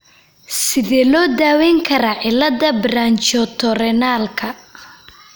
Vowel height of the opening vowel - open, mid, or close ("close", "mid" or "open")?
close